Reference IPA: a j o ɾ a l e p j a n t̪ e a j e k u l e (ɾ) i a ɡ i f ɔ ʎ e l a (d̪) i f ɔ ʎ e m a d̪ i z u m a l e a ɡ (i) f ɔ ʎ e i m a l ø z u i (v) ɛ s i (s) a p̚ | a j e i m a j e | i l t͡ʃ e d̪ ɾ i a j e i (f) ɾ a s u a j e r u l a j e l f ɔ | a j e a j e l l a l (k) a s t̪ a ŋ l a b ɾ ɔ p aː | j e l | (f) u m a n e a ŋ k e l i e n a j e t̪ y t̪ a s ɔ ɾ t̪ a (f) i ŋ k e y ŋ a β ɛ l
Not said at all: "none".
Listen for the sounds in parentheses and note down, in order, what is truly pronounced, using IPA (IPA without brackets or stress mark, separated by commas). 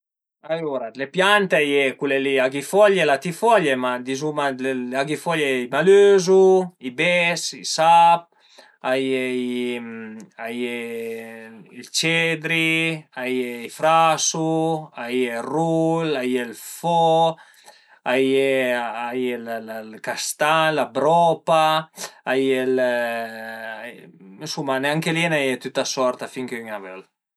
l, t̪, i, b, s, f, k, s, f